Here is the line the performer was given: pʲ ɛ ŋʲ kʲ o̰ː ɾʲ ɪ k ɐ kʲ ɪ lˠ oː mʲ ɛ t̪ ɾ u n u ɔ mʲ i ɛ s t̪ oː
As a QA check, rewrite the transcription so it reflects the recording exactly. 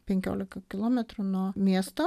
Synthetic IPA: pʲ ɛ ŋʲ kʲ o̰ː lʲ ɪ k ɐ kʲ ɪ lˠ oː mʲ ɛ t̪ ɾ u n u ɔ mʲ i ɛ s t̪ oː